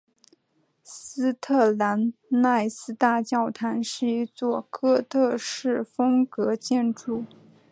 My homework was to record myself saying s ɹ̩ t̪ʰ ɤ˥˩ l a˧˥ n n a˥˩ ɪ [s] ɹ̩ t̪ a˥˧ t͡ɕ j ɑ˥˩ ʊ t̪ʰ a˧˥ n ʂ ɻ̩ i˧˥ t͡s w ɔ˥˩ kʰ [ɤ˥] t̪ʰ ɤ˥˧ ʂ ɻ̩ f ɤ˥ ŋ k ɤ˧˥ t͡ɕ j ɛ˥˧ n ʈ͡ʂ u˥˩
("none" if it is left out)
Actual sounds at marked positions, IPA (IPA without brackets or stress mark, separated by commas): s, ɤ˥